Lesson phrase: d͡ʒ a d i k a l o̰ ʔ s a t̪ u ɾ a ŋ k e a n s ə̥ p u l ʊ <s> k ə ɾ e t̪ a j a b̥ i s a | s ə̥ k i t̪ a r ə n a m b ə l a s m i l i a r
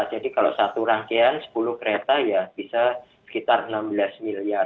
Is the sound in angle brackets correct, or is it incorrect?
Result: incorrect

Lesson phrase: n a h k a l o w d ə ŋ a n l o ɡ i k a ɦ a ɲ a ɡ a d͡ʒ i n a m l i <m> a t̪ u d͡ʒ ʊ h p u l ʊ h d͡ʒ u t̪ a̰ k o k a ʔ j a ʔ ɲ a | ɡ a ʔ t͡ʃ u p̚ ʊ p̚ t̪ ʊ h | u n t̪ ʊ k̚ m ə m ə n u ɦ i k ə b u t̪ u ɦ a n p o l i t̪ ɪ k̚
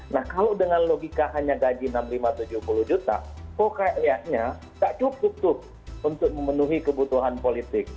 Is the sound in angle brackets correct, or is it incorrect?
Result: correct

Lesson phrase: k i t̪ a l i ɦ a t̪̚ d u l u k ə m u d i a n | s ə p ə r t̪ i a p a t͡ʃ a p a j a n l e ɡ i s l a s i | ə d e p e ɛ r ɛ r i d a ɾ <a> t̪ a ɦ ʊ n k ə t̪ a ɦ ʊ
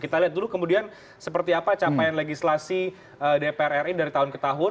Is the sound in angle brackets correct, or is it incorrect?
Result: incorrect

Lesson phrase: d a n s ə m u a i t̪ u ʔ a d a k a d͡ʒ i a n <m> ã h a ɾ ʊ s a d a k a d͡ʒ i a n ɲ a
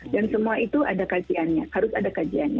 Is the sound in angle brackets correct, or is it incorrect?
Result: incorrect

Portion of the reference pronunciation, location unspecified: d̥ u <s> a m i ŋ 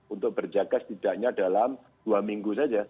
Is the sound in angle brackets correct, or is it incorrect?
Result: incorrect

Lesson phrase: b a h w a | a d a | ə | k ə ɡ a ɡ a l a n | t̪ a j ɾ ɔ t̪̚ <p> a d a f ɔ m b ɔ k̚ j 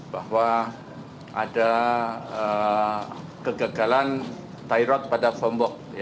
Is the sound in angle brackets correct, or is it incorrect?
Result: correct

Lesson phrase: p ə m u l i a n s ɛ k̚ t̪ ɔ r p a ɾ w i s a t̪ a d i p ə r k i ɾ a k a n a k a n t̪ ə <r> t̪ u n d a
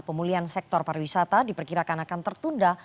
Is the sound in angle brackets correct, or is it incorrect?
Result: correct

